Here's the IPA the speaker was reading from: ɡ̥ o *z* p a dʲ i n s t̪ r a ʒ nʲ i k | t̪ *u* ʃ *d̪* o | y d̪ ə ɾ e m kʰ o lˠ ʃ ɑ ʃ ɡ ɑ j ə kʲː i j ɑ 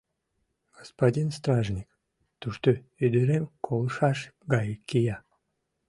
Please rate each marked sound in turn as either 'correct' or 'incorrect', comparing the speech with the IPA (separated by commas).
incorrect, correct, incorrect